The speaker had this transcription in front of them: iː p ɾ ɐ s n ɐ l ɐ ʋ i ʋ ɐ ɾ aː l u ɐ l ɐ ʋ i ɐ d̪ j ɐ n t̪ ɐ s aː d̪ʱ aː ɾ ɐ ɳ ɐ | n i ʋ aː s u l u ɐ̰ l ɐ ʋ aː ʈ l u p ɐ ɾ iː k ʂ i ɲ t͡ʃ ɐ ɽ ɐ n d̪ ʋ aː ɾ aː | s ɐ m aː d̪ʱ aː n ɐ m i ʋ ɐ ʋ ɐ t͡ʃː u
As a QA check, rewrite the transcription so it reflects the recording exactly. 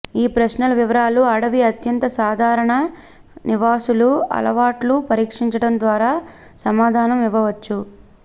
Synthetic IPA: iː p ɾ ɐ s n ɐ l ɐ ʋ i ʋ ɐ ɾ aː l u ɐ ɽ ɐ ʋ i ɐ t̪ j ɐ n t̪ ɐ s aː d̪ʱ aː ɾ ɐ ɳ ɐ | n i ʋ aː s u l u ɐ̰ l ɐ ʋ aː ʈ l u p ɐ ɾ iː k ʂ i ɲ t͡ʃ ɐ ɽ ɐ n d̪ ʋ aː ɾ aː | s ɐ m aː d̪ʱ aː n ɐ m i ʋ ɐ ʋ ɐ t͡ʃː u